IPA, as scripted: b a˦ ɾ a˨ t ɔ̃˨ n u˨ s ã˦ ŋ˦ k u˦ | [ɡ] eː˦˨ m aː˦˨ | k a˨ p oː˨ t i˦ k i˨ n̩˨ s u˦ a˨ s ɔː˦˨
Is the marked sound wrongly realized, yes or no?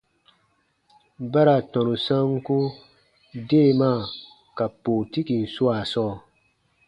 yes